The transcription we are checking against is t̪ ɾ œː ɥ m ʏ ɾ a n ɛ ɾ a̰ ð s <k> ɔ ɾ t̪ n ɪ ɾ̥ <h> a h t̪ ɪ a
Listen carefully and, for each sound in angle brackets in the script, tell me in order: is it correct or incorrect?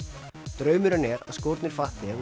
correct, incorrect

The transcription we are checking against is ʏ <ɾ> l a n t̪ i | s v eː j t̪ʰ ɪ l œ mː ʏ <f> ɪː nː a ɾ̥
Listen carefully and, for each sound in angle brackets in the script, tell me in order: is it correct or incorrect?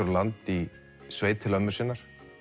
correct, incorrect

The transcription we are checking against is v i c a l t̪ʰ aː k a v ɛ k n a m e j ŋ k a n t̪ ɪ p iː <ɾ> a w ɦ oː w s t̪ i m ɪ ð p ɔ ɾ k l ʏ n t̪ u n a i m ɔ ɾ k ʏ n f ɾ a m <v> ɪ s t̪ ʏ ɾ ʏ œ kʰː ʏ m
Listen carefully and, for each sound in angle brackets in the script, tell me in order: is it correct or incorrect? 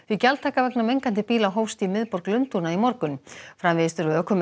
incorrect, correct

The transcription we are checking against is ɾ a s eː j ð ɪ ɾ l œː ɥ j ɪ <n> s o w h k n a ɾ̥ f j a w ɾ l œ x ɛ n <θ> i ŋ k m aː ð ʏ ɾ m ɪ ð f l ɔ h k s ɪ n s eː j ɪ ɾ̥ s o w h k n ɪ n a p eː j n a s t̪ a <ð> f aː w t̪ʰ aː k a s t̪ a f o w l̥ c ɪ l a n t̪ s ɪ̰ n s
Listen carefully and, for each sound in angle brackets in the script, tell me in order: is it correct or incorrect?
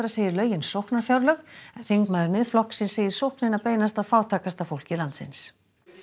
correct, correct, correct

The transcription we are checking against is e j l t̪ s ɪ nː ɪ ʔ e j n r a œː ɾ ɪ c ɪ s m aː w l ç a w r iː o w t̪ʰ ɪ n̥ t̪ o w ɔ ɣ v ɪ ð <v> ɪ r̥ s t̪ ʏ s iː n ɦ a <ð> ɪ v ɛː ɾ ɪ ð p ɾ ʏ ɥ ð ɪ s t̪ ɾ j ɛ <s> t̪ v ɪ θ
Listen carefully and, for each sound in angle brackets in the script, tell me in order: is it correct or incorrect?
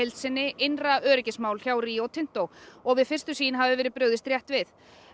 incorrect, incorrect, incorrect

